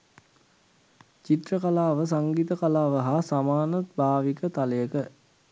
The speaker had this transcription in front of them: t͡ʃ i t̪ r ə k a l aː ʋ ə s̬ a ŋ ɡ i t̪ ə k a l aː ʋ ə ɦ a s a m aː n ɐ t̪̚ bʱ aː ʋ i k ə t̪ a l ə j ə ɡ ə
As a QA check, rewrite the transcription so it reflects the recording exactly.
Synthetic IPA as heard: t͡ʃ i t̪ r ə k a l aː ʋ ə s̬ a ŋ ɡ i t̪ ə k a l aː ʋ ə ɦ a s a m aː n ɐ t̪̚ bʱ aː ʋ i k ə t̪ a l ə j ə k ə